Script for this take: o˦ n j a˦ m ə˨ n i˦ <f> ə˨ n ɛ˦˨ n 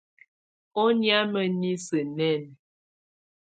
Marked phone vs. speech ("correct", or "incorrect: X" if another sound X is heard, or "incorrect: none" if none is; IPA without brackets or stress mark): incorrect: s